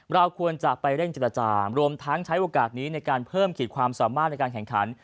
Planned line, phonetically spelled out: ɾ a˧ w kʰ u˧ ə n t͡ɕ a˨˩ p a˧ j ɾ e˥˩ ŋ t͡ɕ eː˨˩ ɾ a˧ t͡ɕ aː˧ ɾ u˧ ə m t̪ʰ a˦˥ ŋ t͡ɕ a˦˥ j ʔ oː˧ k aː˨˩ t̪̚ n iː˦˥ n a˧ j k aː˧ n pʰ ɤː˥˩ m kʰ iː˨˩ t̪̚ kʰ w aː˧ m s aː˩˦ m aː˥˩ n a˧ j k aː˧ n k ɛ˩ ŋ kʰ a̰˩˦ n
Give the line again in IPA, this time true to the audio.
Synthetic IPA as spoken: ɾ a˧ w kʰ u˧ ə n t͡ɕ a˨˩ p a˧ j ɾ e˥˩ ŋ t͡ɕ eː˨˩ ɾ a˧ t͡ɕ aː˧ ɾ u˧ ə m t̪ʰ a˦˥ ŋ t͡ɕʰ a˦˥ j ʔ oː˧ k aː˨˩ t̪̚ n iː˦˥ n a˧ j k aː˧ n pʰ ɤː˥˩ m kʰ iː˨˩ t̪̚ kʰ w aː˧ m s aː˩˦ m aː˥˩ n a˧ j k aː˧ n k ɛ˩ ŋ kʰ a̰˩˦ n